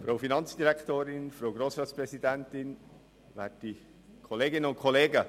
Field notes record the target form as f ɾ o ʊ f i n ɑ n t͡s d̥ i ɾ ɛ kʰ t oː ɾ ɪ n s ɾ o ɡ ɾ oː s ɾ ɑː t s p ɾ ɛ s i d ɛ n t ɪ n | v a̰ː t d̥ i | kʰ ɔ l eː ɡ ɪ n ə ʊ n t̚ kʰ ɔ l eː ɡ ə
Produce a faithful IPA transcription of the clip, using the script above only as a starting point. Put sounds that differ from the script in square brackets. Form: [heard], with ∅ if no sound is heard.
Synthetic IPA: f ɾ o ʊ f i n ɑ n t͡s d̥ i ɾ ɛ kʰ t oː ɾ ɪ n [f] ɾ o ɡ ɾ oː s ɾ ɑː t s p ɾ ɛ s i d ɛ n t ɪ n | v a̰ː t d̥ i | kʰ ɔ l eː ɡ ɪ n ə ʊ n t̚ kʰ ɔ l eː ɡ ə